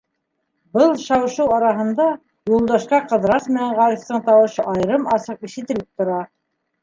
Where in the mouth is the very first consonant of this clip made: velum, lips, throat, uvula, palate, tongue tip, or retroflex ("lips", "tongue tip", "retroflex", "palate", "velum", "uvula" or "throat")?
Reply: lips